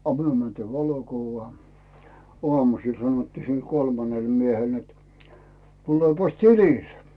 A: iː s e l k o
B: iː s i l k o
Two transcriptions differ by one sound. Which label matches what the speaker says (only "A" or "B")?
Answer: B